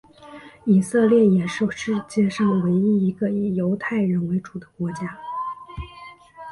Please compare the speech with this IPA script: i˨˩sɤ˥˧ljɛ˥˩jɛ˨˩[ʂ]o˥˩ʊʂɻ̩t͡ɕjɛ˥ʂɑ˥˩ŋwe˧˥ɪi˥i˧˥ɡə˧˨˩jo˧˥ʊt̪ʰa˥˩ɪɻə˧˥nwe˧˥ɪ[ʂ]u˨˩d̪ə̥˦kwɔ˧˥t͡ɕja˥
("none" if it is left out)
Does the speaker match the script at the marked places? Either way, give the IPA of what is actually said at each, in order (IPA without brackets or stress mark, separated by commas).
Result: ʂ, ʈ͡ʂ